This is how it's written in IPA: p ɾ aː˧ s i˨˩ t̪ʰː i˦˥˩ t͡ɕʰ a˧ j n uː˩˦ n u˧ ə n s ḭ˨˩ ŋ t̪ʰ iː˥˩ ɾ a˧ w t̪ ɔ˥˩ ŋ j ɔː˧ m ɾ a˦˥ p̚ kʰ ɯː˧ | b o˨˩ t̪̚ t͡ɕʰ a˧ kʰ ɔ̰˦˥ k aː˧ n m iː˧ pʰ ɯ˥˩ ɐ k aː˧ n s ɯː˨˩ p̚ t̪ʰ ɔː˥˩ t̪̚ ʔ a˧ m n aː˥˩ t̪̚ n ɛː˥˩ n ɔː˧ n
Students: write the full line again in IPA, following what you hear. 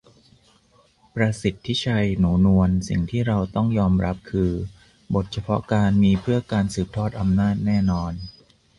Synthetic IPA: p ɾ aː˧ s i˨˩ t̪ʰː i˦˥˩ t͡ɕʰ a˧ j n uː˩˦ n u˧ ə n s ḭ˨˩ ŋ t̪ʰ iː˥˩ ɾ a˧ w t̪ ɔ˥˩ ŋ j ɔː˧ m ɾ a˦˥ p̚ kʰ ɯː˧ | b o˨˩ t̪̚ t͡ɕʰ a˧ pʰ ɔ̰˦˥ k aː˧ n m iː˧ pʰ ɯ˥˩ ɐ k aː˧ n s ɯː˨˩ p̚ t̪ʰ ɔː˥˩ t̪̚ ʔ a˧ m n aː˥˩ t̪̚ n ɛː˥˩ n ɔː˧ n